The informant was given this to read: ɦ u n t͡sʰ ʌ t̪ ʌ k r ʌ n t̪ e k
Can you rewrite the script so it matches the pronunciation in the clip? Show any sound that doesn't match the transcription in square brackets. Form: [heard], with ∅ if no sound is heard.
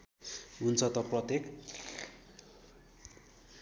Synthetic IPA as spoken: ɦ u n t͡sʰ ʌ t̪ ʌ [p] r ʌ [∅] t̪ e k